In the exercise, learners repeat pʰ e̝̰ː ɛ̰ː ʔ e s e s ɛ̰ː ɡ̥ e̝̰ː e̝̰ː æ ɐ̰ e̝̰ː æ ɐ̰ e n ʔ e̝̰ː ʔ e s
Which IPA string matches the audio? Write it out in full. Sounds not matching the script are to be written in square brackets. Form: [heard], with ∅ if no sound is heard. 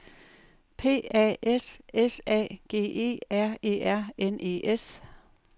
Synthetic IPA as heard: pʰ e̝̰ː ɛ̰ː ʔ e s e s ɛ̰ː ɡ̥ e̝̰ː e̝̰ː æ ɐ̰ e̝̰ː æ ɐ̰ e n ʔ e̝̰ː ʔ e s